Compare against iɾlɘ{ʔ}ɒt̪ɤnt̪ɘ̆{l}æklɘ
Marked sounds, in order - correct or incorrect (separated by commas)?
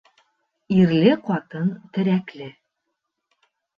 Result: incorrect, incorrect